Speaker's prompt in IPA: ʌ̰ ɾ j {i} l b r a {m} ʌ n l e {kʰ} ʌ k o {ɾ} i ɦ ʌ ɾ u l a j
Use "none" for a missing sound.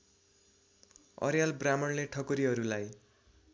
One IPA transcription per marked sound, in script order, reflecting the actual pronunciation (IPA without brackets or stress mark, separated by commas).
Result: a, m, ʈʰ, ɾ